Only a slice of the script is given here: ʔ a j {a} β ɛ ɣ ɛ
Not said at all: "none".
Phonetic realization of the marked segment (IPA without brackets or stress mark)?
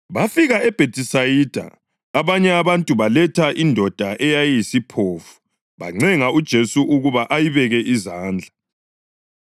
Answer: i